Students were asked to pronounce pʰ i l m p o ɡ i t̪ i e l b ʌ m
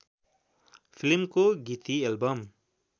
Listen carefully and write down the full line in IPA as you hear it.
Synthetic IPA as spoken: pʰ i l m k o ɡ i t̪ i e l b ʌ m